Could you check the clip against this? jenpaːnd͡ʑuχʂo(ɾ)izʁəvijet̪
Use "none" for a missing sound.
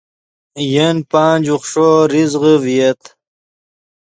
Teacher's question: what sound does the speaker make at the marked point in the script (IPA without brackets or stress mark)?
ɾ